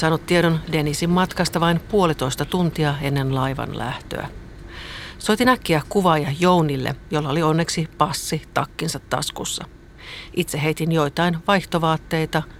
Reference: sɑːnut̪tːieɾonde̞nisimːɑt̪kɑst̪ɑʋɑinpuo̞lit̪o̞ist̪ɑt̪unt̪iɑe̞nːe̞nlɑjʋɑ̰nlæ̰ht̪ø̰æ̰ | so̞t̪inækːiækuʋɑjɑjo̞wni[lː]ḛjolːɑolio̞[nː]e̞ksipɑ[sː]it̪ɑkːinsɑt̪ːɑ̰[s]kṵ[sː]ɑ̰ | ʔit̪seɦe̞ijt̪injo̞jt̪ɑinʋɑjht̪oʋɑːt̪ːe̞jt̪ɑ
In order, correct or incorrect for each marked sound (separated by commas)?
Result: correct, correct, correct, correct, correct